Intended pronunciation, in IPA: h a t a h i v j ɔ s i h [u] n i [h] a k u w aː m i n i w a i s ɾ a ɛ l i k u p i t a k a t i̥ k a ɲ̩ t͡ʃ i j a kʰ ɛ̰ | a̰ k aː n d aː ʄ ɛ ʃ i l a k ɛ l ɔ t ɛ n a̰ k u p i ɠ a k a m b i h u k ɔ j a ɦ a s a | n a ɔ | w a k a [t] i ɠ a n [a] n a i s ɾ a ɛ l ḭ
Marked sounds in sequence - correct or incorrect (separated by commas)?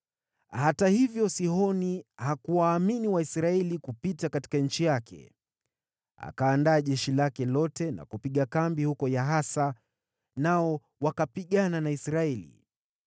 incorrect, correct, incorrect, correct